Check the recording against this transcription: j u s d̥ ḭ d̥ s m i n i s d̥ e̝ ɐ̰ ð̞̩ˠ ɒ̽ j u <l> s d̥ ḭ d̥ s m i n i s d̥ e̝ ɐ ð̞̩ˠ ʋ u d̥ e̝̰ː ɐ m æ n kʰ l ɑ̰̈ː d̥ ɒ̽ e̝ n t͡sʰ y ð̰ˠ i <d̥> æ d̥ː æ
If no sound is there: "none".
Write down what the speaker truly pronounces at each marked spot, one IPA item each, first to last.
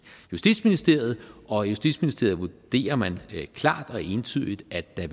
none, d̥

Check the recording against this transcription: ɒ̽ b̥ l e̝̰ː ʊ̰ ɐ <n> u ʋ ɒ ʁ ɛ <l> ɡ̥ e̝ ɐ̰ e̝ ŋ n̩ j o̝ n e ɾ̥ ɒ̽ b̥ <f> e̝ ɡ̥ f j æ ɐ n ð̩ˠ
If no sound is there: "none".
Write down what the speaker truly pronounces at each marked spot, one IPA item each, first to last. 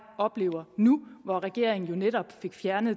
n, none, f

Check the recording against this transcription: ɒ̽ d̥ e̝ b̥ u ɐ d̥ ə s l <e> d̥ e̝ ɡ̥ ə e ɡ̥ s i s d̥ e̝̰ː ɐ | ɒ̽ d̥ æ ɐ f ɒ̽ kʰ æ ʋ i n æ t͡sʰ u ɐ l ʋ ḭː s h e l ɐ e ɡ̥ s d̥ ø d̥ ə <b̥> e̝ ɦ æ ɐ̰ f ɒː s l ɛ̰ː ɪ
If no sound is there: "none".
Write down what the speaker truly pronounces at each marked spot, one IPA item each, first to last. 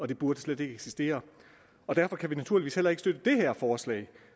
e, d̥

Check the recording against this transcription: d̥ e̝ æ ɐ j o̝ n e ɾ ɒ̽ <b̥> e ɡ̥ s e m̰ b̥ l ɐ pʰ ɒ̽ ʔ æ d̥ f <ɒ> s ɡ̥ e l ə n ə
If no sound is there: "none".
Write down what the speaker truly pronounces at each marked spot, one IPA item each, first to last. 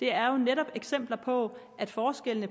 b̥, ɒː

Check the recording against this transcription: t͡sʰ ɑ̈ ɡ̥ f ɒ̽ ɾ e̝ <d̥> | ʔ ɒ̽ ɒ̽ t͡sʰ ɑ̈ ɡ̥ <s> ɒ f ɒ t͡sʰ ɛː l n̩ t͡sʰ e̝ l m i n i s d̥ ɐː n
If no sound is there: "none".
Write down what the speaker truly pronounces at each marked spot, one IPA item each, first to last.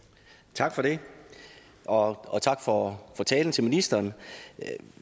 none, f

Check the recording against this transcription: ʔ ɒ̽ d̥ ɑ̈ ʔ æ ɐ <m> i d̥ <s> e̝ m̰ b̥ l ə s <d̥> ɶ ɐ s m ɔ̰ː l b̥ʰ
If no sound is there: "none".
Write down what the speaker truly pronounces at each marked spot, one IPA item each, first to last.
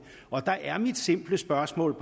m, s, b̥

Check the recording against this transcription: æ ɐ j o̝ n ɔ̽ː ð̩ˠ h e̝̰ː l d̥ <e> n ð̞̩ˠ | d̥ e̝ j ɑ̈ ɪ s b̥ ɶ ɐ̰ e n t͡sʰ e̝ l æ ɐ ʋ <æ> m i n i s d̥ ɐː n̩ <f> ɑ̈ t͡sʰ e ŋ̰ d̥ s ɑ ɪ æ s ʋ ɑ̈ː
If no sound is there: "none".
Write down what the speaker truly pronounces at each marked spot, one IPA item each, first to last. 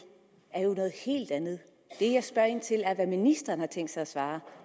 æ, æ, h

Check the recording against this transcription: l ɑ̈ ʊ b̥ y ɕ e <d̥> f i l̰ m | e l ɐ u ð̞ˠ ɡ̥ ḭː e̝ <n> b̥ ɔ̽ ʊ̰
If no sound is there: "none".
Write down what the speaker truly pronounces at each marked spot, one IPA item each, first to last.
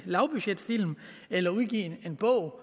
d̥, n

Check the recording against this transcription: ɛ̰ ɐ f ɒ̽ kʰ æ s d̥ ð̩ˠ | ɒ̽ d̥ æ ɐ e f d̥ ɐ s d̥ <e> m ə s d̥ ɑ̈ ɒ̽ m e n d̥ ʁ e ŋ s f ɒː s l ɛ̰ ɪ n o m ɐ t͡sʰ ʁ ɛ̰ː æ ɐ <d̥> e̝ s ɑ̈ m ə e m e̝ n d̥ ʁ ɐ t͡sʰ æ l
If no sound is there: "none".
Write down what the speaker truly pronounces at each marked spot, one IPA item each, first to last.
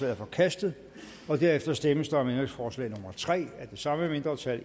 e, d̥

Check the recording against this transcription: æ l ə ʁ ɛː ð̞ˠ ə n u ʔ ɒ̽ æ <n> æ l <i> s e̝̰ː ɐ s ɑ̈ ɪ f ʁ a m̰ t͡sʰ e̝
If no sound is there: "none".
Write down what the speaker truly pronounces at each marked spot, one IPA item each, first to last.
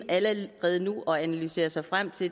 n, y

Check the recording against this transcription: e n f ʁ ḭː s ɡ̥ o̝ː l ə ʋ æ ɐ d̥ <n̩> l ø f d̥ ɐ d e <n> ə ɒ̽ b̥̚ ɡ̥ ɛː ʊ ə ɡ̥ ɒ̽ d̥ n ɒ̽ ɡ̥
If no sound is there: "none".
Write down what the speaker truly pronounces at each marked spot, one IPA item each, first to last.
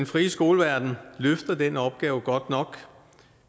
n̩, n

